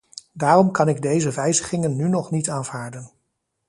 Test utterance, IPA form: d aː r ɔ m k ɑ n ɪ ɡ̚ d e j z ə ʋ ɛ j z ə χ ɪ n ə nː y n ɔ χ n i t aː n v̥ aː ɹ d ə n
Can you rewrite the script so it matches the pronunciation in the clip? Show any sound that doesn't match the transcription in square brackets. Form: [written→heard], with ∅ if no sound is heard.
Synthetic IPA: d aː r ɔ m k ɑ n ɪ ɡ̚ d e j z ə ʋ ɛ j z ə χ ɪ [n→ŋ] ə nː y n ɔ χ n i t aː n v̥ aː ɹ d ə n